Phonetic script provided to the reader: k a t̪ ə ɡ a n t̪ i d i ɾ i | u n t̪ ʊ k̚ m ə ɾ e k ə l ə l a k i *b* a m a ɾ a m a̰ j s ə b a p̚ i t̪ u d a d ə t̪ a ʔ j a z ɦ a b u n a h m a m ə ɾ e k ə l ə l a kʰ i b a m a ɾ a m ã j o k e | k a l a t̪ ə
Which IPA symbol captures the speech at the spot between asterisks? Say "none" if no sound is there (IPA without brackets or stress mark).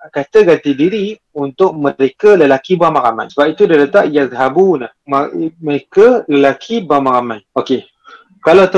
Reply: b